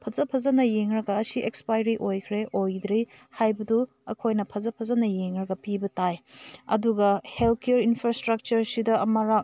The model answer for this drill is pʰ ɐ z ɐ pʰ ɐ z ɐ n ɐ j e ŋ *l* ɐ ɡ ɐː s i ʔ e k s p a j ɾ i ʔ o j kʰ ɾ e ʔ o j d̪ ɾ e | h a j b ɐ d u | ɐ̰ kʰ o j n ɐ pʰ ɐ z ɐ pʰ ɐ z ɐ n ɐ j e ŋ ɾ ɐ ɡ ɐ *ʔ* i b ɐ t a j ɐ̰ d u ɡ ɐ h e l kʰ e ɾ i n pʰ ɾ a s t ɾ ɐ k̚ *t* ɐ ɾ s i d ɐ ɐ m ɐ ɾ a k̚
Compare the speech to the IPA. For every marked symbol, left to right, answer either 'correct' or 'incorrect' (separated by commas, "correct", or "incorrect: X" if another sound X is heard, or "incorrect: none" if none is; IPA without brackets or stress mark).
incorrect: ɾ, incorrect: p, incorrect: t͡ʃ